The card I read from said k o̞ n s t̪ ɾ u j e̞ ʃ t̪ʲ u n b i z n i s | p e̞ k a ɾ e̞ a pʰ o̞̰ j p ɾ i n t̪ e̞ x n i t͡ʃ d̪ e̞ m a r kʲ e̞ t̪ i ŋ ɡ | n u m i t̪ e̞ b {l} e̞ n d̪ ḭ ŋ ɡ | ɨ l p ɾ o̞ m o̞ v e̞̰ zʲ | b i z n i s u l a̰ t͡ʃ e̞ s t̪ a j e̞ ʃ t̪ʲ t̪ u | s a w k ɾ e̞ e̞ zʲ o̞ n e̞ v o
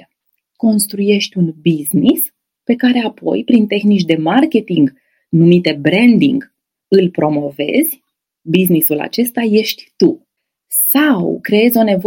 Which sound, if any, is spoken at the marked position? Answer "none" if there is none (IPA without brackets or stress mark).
ɾ